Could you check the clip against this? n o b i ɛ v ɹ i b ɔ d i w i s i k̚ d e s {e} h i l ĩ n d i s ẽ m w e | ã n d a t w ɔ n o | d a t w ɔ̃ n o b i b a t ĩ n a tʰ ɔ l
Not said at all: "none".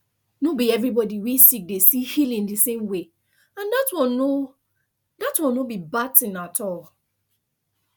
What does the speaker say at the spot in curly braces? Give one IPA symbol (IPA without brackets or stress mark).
i